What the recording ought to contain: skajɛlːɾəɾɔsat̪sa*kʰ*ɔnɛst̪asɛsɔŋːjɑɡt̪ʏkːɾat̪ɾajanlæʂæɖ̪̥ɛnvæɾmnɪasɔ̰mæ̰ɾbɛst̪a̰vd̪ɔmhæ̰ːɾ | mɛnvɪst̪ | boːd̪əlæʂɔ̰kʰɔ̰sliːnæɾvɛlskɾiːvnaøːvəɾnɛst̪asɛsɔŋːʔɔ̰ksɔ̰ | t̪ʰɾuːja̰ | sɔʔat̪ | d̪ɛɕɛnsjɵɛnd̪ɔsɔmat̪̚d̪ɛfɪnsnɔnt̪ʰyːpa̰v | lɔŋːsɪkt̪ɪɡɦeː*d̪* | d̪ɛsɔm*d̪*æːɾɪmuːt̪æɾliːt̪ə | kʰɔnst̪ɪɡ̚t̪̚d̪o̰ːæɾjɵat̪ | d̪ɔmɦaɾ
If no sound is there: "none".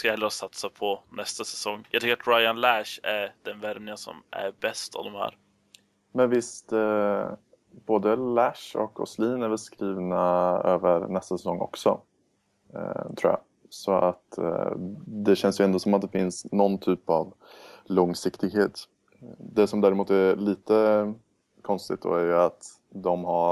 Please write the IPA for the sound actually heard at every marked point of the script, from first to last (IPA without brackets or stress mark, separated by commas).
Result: pʰ, t̪, d̪